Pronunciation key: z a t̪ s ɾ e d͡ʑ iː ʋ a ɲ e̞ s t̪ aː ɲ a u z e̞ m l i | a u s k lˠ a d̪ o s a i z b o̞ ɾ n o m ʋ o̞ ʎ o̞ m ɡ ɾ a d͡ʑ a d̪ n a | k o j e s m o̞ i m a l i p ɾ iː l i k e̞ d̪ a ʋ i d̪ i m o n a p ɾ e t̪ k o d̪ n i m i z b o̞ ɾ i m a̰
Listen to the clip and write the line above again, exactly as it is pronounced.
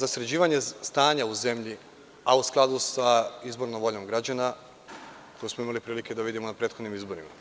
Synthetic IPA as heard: z a s ɾ e d͡ʑ iː ʋ a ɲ e̞ s t̪ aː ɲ a u z e̞ m ʎ i | a u s k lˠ a d̪ u s a i z b o̞ ɾ n o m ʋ o̞ ʎ o̞ m ɡ ɾ a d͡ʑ a n a | k o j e s m o̞ i m a l i p ɾ iː l i k e̞ d̪ a ʋ i d̪ i m o n a p ɾ e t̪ x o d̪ n i m i z b o̞ ɾ i m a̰